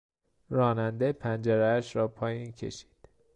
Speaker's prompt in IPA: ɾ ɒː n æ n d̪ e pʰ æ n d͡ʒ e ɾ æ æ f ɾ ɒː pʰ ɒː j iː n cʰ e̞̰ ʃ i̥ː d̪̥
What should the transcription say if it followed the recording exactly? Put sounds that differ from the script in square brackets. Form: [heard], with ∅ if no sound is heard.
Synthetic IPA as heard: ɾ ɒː n æ n d̪ e pʰ æ n d͡ʒ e ɾ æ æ [ʃ] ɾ ɒː pʰ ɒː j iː n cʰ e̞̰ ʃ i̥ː d̪̥